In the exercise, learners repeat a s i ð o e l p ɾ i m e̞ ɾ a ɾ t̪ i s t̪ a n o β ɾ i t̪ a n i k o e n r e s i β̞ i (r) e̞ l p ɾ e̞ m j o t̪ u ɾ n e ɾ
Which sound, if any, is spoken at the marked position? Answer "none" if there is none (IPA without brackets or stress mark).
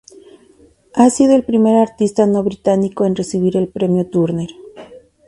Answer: ɾ